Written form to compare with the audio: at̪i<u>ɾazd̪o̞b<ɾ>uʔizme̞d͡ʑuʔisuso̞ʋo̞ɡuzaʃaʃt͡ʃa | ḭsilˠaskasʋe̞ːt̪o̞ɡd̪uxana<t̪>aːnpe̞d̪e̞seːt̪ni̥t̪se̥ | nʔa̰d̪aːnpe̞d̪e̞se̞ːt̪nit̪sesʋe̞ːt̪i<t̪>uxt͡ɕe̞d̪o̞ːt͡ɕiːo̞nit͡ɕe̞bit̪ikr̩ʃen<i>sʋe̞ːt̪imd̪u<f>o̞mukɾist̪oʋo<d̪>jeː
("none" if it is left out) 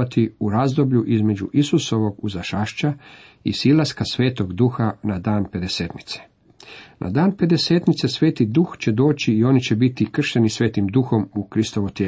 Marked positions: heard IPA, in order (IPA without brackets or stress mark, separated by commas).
u, ʎ, d̪, d̪, i, x, t̪